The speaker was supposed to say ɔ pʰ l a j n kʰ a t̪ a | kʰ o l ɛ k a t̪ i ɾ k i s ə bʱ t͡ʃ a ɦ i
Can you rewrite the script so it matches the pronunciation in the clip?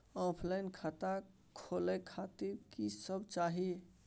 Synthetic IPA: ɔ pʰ l a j n kʰ a t̪ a | kʰ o l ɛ kʰ a t̪ i ɾ k i s ə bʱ t͡ʃ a ɦ i